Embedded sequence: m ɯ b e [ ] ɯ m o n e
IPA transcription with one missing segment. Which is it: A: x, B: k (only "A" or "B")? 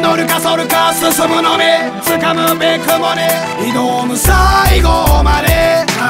B